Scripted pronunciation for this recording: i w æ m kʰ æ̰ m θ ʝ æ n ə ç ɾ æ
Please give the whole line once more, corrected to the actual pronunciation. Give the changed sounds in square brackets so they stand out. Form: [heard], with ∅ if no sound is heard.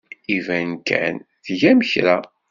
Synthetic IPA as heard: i [v] æ [n] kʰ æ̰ [n] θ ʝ æ [m] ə ç ɾ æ